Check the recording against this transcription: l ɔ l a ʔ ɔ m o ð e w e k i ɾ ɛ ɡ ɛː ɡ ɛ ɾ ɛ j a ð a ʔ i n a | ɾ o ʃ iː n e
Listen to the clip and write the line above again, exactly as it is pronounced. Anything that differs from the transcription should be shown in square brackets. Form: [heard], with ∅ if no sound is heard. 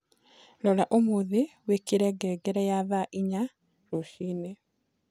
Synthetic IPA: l ɔ l a ʔ [o] m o ð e w e k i ɾ ɛ ɡ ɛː ɡ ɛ ɾ ɛ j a ð a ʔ i [ɲ] a | ɾ o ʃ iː n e